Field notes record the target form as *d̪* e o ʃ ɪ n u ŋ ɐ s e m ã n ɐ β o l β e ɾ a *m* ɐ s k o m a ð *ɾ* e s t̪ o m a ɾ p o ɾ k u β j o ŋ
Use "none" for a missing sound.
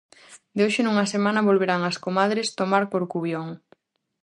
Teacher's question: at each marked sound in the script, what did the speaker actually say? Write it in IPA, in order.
d̪, ŋ, ɾ

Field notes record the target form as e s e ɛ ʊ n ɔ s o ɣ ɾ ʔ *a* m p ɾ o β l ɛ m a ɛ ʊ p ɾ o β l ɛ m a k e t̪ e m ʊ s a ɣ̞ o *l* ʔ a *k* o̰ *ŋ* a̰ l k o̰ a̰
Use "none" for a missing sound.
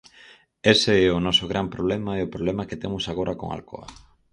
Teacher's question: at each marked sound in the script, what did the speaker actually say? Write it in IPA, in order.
a, ɾ, k, ŋ

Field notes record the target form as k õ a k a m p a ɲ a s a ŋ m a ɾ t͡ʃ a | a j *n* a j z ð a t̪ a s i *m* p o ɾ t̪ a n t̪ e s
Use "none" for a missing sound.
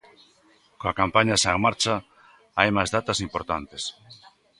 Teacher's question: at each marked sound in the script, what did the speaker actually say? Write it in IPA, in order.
m, m

